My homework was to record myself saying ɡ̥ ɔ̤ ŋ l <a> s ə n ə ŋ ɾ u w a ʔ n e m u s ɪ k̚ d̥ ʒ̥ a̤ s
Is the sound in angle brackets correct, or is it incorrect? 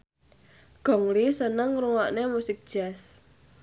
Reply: incorrect